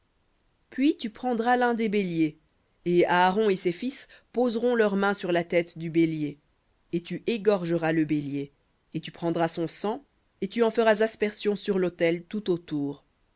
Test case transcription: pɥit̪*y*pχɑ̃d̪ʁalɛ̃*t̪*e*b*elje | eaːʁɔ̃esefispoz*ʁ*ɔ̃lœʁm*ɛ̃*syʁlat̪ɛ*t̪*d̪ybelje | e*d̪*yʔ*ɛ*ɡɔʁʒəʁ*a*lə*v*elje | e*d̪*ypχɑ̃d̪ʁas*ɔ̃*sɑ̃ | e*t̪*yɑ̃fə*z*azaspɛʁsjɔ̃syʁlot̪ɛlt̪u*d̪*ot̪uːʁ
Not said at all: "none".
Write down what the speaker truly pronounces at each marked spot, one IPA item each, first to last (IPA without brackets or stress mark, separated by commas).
y, d̪, b, ʁ, ɛ̃, t̪, t̪, e, a, b, t̪, ɔ̃, t̪, ʁ, t̪